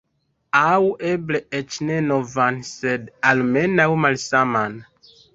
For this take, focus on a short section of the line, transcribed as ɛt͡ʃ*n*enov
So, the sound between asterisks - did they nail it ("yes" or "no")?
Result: yes